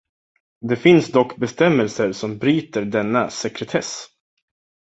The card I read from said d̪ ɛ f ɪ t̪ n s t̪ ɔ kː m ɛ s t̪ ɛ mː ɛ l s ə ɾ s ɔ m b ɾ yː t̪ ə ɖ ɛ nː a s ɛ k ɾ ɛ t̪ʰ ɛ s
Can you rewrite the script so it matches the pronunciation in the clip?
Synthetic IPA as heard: d̪ ɛ f ɪ n s d̪ ɔ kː b ɛ s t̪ ɛ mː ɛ l s ə ɾ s ɔ m b ɾ yː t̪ ə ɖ ɛ nː a s ɛ k ɾ ɛ t̪ʰ ɛ s